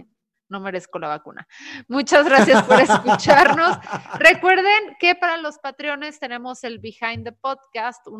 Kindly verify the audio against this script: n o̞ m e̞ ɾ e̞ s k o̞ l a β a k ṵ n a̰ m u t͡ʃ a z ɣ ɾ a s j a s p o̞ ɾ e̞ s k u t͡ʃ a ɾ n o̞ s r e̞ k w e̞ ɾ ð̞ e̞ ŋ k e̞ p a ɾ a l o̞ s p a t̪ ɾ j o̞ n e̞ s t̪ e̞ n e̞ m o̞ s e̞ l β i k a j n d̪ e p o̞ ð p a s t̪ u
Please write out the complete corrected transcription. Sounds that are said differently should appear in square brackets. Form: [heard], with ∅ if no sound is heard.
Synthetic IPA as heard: n o̞ m e̞ ɾ e̞ s k o̞ l a β a k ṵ n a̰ m u t͡ʃ a z ɣ ɾ a s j a s p o̞ ɾ e̞ s k u t͡ʃ a ɾ n o̞ s r e̞ k w e̞ ɾ ð̞ e̞ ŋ k e̞ p a ɾ a l o̞ s p a t̪ ɾ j o̞ n e̞ s t̪ e̞ n e̞ m o̞ s e̞ l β i [x] a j n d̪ e p o̞ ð [k] a s t̪ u